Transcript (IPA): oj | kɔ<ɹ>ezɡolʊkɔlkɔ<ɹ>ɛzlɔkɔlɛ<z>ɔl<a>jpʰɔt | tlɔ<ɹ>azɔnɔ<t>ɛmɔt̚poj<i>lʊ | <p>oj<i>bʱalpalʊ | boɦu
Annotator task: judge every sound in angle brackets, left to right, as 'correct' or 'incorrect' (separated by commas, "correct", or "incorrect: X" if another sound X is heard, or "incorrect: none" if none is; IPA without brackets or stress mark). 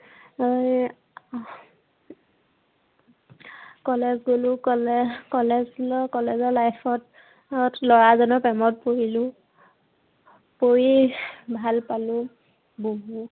incorrect: l, incorrect: l, correct, correct, correct, incorrect: p, correct, correct, correct